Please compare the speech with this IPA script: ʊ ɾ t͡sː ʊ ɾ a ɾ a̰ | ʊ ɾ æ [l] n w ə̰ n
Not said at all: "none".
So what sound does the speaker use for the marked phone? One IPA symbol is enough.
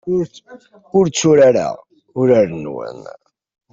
ɾ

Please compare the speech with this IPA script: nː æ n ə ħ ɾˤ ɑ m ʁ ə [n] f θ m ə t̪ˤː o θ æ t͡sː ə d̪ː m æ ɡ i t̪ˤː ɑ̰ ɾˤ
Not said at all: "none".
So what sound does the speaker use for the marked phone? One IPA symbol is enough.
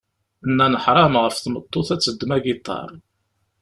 none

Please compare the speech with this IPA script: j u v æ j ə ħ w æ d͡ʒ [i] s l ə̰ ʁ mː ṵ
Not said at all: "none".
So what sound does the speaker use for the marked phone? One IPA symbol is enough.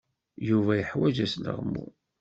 æ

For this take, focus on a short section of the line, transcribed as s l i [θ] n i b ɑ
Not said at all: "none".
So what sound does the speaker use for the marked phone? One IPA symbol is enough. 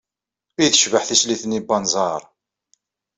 θ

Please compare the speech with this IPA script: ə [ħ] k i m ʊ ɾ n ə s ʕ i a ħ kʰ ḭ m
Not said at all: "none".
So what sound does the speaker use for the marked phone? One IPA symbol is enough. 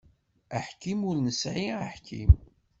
ħ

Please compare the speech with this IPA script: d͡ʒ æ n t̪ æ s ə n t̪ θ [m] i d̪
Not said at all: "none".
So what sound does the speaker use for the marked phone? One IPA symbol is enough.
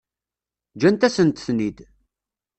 n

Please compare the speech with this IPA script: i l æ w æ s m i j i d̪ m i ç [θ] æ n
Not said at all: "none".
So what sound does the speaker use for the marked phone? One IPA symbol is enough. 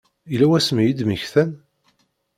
θ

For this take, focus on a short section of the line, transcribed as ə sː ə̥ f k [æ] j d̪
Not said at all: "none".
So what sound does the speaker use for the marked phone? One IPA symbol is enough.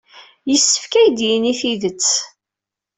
æ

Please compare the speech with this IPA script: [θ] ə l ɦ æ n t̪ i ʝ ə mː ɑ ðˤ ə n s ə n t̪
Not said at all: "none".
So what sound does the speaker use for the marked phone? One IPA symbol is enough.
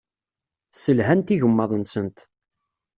s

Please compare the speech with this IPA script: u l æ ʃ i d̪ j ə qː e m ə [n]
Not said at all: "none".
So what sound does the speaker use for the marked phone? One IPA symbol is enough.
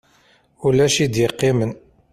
n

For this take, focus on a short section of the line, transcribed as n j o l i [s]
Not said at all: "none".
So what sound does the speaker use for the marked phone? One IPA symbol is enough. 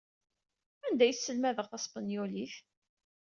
θ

